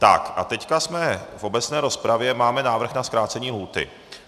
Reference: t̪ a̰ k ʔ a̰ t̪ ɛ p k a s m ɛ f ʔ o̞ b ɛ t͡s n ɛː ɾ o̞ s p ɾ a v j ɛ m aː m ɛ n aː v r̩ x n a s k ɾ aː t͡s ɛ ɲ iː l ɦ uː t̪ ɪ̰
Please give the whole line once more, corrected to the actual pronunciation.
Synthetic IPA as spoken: t̪ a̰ k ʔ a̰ t̪ ɛ c k a s m ɛ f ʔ o̞ b ɛ t͡s n ɛː ɾ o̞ s p ɾ a v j ɛ m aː m ɛ n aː v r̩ x n a s k ɾ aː t͡s ɛ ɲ iː l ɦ uː t̪ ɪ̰